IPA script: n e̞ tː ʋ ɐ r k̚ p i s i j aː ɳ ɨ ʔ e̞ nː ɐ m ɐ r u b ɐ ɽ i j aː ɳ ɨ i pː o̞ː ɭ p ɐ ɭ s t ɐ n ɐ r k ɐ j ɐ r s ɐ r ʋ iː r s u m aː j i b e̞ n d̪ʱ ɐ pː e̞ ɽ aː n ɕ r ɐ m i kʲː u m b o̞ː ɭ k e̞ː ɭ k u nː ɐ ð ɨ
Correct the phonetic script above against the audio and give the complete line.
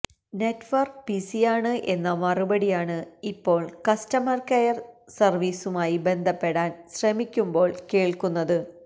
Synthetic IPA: n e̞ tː ʋ ɐ r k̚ p i s i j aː ɳ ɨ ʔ e̞ nː ɐ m ɐ r u b ɐ ɽ i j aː ɳ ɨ i pː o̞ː ɭ k ɐ s t ɐ m ɐ r k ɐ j ɐ r s ɐ r ʋ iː s u m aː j i b e̞ n d̪ʱ ɐ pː e̞ ɽ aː n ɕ r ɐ m i kʲː u m b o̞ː ɭ k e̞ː ɭ k u nː ɐ ð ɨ